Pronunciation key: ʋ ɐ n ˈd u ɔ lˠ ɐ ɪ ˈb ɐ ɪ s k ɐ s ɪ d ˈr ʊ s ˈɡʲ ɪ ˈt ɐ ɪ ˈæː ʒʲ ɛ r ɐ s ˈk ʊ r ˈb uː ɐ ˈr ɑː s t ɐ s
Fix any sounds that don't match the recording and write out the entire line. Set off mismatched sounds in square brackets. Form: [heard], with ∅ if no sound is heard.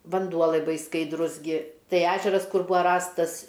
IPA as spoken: ʋ ɐ n ˈd u ɔ lˠ ɐ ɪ ˈb ɐ ɪ s k ɐ [∅] ɪ d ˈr ʊ s ˈɡʲ ɪ ˈt ɐ ɪ ˈæː ʒʲ ɛ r ɐ s ˈk ʊ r ˈb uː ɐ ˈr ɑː s t ɐ s